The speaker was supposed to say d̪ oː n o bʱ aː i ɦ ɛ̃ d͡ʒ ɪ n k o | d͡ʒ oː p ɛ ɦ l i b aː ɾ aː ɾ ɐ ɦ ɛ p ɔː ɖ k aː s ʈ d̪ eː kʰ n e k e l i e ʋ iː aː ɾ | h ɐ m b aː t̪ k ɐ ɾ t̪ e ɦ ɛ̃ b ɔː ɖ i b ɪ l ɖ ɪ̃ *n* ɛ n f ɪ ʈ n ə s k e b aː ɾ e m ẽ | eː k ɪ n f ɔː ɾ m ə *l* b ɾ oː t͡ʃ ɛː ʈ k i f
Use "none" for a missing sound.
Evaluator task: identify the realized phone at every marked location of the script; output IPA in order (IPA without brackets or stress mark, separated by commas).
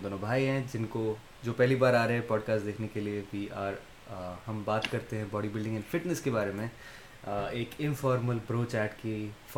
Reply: ŋ, l